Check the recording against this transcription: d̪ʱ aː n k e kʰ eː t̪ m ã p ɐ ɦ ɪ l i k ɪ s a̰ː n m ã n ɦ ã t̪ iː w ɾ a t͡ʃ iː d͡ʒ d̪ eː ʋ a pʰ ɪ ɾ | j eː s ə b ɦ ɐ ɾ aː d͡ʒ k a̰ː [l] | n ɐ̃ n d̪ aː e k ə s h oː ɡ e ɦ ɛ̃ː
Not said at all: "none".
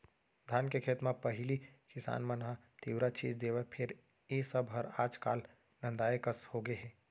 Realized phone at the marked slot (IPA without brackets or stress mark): l